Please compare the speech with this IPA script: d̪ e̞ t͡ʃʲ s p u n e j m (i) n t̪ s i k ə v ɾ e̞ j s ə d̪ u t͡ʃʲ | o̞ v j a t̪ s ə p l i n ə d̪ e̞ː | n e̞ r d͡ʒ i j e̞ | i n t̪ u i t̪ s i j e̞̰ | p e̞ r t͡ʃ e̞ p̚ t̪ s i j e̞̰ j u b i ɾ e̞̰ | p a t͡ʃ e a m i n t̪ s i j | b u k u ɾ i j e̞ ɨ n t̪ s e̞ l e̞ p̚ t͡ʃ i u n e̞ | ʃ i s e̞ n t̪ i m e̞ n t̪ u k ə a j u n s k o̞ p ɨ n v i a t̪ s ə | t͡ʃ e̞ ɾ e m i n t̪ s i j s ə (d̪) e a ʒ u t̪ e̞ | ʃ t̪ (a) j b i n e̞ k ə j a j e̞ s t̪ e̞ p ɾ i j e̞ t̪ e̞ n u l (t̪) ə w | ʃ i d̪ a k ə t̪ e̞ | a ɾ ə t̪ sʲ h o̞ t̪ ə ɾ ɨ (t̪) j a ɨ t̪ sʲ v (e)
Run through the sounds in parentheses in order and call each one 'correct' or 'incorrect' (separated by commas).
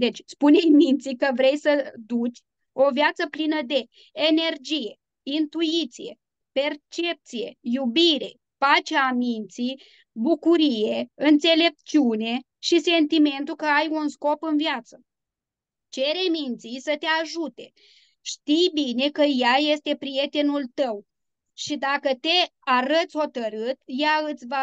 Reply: correct, incorrect, incorrect, correct, correct, incorrect